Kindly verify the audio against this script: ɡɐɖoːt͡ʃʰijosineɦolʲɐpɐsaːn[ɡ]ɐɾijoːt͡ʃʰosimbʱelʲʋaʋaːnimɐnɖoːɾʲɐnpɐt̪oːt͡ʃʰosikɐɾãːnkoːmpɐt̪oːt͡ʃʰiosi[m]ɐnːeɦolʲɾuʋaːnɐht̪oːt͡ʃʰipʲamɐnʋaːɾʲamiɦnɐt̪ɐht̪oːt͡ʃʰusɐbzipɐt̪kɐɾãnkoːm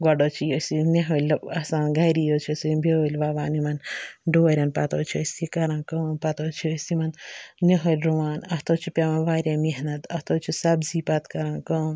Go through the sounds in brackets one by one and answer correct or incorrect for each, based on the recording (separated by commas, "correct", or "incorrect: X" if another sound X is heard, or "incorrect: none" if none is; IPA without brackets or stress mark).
correct, correct